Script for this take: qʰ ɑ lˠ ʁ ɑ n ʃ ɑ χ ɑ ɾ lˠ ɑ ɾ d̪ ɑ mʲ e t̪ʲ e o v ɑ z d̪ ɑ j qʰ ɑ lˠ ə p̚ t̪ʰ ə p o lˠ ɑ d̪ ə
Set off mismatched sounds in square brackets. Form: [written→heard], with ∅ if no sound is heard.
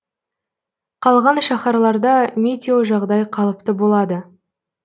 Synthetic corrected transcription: qʰ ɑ lˠ ʁ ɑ n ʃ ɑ χ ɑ ɾ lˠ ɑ ɾ d̪ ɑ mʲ e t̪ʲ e o [v→ʒ] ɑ [z→ʁ] d̪ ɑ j qʰ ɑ lˠ ə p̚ [t̪ʰ→t̪] ə [p→b] o lˠ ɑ d̪ ə

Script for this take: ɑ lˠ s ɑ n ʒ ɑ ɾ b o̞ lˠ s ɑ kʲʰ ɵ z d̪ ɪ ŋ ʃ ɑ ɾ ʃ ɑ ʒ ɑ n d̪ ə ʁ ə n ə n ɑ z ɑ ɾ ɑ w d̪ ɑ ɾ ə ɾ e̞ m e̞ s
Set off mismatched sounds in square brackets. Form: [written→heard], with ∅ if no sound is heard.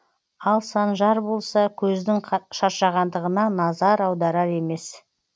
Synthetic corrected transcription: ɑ lˠ s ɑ n ʒ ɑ ɾ b o̞ lˠ s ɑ kʲʰ ɵ z d̪ ɪ ŋ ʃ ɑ ɾ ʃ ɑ [ʒ→ʁ] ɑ n d̪ ə ʁ ə n [ə→ɑ] n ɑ z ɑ ɾ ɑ w d̪ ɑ ɾ [ə→ɑ] ɾ e̞ m e̞ s

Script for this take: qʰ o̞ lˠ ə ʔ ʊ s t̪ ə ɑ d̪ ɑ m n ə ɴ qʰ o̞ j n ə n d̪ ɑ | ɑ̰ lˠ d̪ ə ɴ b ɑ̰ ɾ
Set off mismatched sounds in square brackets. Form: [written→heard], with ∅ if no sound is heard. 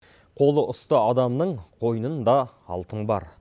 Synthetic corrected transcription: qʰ o̞ lˠ ə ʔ ʊ s t̪ ə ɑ d̪ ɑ m n ə ɴ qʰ o̞ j n ə n d̪ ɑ | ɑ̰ lˠ [d̪→t̪] ə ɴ b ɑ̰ ɾ

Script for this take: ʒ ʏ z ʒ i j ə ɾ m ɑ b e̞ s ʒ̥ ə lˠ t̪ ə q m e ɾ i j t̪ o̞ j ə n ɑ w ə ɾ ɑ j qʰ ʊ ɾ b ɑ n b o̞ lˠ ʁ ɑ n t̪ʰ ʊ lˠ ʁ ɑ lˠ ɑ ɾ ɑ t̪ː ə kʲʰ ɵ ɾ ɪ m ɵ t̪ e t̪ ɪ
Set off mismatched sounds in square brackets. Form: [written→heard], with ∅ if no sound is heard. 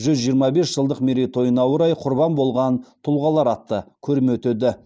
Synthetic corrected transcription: ʒ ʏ z ʒ i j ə ɾ m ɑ b e̞ s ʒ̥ ə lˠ [t̪→d̪] ə q m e ɾ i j t̪ o̞ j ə n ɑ w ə ɾ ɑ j qʰ ʊ ɾ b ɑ n b o̞ lˠ ʁ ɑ n t̪ʰ ʊ lˠ ʁ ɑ lˠ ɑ ɾ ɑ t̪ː ə kʲʰ ɵ ɾ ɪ m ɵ t̪ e [t̪→d̪] ɪ

